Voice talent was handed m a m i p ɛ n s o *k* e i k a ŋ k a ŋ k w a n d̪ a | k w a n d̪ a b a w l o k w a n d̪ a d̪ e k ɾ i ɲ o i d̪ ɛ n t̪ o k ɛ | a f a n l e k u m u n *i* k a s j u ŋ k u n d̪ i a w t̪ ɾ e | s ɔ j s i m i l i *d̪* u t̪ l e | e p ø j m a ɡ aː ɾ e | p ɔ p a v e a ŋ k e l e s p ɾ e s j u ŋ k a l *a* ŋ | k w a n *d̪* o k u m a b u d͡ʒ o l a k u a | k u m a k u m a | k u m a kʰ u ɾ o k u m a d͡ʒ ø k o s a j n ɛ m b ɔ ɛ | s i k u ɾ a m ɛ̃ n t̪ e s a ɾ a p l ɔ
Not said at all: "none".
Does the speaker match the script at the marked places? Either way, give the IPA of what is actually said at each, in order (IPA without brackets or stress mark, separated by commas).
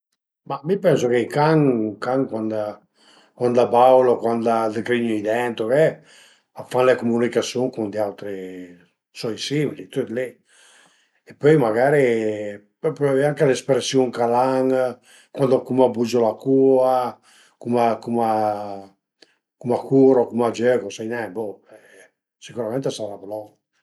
k, i, t̪, a, d̪